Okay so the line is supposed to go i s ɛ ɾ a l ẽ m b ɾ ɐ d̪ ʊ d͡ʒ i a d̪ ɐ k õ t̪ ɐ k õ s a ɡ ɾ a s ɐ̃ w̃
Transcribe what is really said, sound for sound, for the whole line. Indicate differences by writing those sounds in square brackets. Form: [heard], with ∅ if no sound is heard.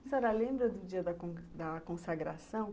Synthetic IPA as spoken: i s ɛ ɾ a l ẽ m b ɾ ɐ d̪ ʊ d͡ʒ i [ɐ] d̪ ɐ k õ [d̪] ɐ k õ s a ɡ ɾ a s ɐ̃ w̃

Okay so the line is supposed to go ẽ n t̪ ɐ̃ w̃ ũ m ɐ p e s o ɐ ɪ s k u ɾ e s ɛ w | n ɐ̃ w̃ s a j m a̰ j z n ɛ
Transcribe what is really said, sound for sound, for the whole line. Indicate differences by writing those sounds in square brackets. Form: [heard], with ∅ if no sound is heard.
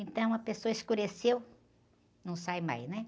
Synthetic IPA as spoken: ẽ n t̪ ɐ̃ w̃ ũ m ɐ p e s o ɐ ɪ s k u ɾ e s [e] w | n ɐ̃ w̃ s a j m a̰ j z n ɛ

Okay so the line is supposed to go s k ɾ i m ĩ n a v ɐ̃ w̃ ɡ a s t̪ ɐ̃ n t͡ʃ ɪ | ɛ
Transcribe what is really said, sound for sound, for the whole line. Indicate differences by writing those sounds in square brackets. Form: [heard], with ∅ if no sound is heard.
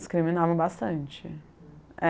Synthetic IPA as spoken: s k ɾ i m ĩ n a v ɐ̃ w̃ [b] a s t̪ ɐ̃ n t͡ʃ ɪ | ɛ

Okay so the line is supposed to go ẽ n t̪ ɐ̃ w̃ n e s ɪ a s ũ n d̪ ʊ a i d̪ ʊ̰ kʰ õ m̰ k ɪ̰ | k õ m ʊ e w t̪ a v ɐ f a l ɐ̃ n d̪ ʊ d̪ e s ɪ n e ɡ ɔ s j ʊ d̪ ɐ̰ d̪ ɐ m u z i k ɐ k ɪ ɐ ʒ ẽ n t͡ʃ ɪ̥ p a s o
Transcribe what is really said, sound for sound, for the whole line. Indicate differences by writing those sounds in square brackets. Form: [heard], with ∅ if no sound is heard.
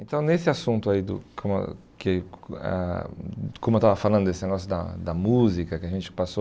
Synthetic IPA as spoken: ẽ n t̪ ɐ̃ w̃ n e s ɪ a s ũ n [t̪] ʊ a i d̪ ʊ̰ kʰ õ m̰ k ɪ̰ | k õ m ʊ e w t̪ a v ɐ f a l ɐ̃ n d̪ ʊ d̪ e s ɪ n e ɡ ɔ s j ʊ d̪ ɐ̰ d̪ ɐ m u z i k ɐ k ɪ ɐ ʒ ẽ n t͡ʃ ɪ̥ p a s o

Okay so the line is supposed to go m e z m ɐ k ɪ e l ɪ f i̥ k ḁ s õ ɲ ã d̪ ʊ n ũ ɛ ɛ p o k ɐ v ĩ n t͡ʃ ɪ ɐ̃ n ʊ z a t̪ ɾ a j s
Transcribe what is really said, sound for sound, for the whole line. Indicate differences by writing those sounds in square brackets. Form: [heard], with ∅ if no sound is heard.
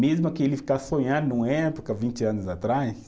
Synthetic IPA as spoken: m e z m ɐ k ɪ e l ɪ f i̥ k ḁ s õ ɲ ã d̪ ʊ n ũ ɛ ɛ p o k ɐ v ĩ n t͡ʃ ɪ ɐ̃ n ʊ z a t̪ ɾ a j s

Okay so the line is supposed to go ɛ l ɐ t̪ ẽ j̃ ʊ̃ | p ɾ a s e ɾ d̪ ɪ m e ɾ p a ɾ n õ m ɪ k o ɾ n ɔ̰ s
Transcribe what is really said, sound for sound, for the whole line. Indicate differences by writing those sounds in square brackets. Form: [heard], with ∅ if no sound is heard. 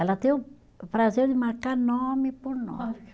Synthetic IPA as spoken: ɛ l ɐ t̪ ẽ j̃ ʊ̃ | p ɾ a [z] e ɾ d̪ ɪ m [a] ɾ [k] a ɾ n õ m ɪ [p] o ɾ n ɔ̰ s

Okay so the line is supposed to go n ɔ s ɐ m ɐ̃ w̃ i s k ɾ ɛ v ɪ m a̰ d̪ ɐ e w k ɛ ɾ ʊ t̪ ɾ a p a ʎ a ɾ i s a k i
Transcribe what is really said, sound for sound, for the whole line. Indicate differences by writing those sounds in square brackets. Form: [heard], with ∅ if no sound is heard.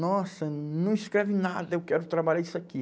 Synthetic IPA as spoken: n ɔ s ɐ [n] ɐ̃ w̃ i s k ɾ ɛ v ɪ [n] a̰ d̪ ɐ e w k ɛ ɾ ʊ t̪ ɾ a [b] a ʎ a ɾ i s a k i

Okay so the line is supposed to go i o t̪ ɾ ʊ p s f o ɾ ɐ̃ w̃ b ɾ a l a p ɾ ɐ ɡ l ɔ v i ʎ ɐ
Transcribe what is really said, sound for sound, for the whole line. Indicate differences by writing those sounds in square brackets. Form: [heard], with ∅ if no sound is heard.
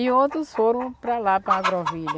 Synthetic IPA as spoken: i o t̪ ɾ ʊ [∅] s f o ɾ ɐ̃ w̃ [p] ɾ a l a p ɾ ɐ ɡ [ɾ] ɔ v i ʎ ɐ

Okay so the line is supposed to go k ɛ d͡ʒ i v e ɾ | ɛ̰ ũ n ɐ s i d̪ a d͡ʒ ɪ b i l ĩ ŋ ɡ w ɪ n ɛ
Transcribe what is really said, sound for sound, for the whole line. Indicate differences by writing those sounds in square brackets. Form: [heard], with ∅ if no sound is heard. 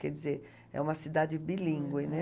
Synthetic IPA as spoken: k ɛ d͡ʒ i [z] e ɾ | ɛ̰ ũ [m] ɐ s i d̪ a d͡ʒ ɪ b i l ĩ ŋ ɡ w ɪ n ɛ

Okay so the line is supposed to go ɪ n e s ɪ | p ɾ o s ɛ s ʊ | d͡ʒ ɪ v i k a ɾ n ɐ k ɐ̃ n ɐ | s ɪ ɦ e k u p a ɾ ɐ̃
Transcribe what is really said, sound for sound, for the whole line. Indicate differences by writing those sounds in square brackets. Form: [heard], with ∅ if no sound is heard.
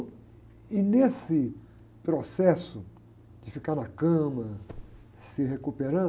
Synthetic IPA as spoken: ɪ n e s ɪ | p ɾ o s ɛ s ʊ | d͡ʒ ɪ [f] i k a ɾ n ɐ k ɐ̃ [m] ɐ | s ɪ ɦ e k u p [e] ɾ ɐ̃

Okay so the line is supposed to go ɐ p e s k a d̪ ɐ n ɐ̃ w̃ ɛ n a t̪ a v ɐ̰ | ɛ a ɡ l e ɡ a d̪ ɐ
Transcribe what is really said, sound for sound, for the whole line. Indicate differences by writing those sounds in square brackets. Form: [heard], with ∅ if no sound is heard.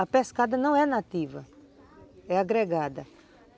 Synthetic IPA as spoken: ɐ p e s k a d̪ ɐ n ɐ̃ w̃ ɛ n a t̪ [i] v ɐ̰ | ɛ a ɡ [ɾ] e ɡ a d̪ ɐ

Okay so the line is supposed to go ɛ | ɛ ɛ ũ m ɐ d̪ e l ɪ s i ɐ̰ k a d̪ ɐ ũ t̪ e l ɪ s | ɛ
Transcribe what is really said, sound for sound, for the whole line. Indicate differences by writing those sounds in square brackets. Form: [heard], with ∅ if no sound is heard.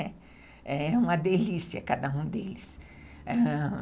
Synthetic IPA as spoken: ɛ | ɛ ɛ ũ m ɐ d̪ e l [i] s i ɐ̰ k a d̪ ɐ ũ [d̪] e l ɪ s | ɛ

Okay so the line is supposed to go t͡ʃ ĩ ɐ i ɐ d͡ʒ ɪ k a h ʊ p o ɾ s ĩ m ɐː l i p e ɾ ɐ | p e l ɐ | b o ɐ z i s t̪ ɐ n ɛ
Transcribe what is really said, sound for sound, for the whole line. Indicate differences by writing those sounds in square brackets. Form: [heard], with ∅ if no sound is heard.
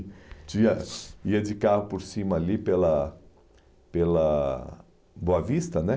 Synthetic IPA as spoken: t͡ʃ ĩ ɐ i ɐ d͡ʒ ɪ k a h ʊ p o ɾ s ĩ m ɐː l i p e [l] ɐ | p e l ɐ | b o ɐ [v] i s t̪ ɐ n ɛ

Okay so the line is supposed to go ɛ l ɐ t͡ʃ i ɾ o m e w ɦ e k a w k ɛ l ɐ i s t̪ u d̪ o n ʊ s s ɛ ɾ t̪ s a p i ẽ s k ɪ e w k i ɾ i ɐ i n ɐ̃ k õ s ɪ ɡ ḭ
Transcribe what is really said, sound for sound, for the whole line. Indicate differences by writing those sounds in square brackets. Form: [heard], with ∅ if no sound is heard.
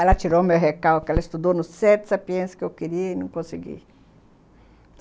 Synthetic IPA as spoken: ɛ l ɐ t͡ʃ i ɾ o m e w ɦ e k a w k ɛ l ɐ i s t̪ u d̪ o n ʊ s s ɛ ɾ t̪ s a p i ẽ s k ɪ e w k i ɾ i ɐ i n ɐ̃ k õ s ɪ ɡ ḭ

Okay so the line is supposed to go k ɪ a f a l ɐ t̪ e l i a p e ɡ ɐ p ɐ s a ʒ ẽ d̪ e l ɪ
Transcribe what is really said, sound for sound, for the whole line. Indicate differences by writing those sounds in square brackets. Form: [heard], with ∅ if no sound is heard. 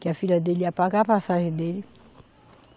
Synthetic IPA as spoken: k ɪ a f [i] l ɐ [d̪] e l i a p [a] ɡ [a] p [a] s a ʒ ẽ d̪ e l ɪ

